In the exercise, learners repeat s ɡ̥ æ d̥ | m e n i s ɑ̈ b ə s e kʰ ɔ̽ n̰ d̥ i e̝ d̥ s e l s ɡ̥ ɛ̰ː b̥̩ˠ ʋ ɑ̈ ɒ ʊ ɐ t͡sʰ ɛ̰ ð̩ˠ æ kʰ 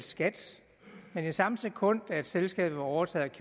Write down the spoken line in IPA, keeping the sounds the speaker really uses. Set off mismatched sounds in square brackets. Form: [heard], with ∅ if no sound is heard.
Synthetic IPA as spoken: s ɡ̥ æ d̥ | m e n i s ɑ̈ [m] ə s e kʰ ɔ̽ n̰ d̥ [æ] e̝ d̥ s e l s ɡ̥ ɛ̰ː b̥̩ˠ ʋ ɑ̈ ɒ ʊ ɐ t͡sʰ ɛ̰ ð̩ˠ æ kʰ